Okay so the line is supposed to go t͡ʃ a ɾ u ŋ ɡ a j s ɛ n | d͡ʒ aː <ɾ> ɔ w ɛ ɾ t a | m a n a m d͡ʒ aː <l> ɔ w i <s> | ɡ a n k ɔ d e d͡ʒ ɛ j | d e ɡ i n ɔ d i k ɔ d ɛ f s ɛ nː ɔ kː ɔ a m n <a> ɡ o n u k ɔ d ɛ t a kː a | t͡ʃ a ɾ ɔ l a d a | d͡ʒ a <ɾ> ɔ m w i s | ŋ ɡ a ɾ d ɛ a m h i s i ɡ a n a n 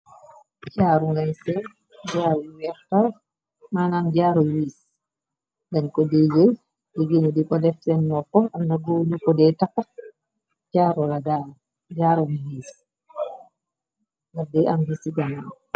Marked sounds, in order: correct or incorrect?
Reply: correct, incorrect, correct, correct, correct

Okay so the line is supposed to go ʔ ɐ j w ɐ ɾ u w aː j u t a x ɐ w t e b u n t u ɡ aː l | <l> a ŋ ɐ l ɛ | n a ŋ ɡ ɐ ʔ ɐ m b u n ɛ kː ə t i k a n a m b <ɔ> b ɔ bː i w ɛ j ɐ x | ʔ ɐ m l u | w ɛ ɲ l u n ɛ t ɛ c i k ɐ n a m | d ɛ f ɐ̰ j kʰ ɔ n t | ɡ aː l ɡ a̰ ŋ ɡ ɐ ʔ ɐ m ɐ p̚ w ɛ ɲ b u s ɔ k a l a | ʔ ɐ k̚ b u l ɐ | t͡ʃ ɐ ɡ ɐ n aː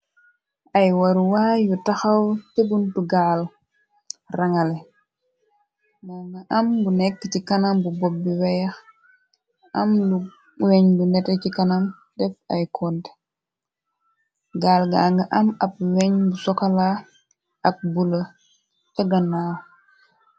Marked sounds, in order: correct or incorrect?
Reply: incorrect, incorrect

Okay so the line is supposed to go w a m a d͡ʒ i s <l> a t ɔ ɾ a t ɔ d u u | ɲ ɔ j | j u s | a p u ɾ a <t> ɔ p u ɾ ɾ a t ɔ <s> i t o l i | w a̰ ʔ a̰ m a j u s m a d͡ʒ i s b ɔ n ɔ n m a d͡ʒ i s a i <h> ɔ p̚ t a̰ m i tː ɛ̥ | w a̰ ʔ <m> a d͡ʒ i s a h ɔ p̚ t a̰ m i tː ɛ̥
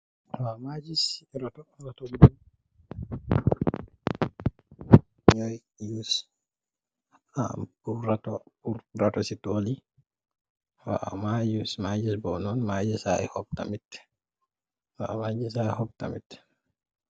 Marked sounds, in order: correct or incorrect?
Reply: incorrect, correct, correct, correct, correct

